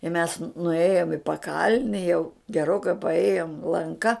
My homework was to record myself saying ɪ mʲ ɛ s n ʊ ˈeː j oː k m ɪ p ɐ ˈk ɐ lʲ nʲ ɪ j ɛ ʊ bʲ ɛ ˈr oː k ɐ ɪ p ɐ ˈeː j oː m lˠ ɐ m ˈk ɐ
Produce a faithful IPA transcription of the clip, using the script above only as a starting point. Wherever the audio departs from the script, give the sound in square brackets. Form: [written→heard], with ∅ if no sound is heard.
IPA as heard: ɪ mʲ ɛ s n ʊ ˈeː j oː [k→∅] m ɪ p ɐ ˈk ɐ lʲ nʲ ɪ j ɛ ʊ [bʲ→ɡʲ] ɛ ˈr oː k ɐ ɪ p ɐ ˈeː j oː m lˠ ɐ [m→ŋ] ˈk ɐ